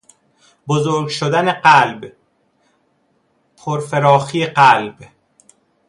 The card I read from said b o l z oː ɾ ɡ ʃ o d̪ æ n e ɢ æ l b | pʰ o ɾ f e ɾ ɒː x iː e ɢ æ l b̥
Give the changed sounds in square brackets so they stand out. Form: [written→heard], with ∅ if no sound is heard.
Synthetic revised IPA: b o [l→∅] z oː ɾ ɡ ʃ o d̪ æ n e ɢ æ l b | pʰ o ɾ f e ɾ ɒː x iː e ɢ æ l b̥